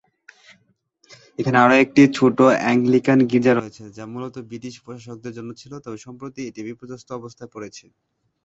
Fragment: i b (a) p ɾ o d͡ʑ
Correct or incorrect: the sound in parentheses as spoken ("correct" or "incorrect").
incorrect